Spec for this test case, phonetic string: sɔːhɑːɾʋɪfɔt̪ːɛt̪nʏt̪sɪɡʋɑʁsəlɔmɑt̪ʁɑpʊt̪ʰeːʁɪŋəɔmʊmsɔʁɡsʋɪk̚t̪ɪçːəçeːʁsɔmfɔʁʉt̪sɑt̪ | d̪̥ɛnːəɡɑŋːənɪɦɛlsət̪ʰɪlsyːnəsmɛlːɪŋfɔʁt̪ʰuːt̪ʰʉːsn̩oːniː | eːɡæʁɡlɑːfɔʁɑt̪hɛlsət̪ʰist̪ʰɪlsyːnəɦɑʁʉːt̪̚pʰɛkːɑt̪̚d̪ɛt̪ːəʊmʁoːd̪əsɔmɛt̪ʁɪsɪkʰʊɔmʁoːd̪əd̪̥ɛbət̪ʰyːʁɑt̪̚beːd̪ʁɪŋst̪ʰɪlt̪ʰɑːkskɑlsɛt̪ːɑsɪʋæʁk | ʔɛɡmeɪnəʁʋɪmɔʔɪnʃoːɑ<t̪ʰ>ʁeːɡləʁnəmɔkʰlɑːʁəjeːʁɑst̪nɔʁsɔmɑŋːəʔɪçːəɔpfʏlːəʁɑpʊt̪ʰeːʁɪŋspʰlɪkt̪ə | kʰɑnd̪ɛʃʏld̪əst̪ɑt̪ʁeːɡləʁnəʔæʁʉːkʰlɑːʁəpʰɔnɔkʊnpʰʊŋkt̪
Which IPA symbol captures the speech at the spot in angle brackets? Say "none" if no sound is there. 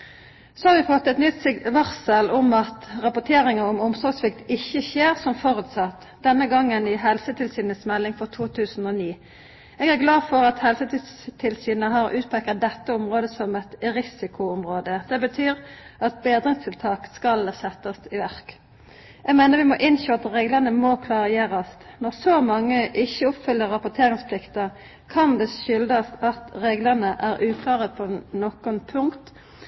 t̪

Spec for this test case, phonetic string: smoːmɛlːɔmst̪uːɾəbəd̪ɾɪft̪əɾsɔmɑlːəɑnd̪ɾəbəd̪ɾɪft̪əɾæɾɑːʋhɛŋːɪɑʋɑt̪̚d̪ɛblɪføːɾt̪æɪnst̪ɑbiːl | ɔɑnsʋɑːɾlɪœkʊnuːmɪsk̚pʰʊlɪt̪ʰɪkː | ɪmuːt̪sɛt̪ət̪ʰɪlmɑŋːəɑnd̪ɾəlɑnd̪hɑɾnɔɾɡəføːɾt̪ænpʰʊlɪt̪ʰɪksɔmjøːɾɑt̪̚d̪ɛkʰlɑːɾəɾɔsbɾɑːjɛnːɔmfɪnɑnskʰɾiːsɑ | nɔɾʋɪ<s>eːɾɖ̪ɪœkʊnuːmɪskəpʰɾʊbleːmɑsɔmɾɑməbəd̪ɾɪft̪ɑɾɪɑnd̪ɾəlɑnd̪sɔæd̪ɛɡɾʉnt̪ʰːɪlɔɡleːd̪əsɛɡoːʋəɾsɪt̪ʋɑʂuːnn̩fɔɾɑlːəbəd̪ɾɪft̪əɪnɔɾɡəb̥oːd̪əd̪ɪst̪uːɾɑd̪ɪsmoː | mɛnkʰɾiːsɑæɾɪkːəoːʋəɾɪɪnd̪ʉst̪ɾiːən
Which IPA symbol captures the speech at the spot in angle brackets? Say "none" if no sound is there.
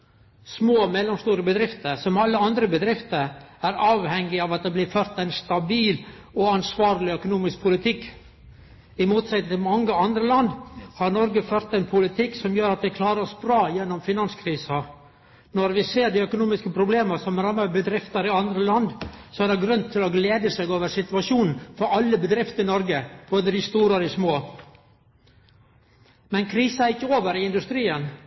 s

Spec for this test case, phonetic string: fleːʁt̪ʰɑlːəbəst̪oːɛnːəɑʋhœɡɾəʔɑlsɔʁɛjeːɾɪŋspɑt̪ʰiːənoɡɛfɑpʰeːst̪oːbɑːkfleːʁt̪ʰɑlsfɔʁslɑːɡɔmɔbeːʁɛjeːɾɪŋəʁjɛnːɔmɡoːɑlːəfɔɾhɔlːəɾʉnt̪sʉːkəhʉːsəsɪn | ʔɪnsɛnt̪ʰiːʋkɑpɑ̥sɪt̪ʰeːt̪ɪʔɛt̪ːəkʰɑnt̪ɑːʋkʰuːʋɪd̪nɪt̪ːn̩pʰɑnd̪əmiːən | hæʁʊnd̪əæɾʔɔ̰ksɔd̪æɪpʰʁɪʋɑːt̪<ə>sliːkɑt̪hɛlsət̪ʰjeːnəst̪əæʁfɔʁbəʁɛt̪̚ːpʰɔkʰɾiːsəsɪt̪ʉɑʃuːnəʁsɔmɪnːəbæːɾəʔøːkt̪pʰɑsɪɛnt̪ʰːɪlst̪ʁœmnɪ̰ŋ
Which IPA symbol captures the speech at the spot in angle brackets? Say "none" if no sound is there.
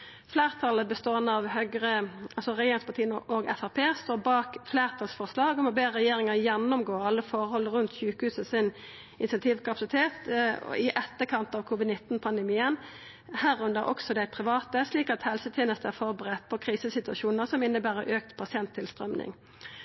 ə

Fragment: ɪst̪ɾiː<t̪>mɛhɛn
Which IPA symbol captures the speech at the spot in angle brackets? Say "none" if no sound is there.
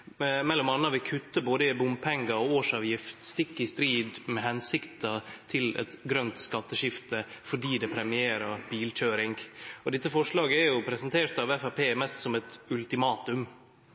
d̪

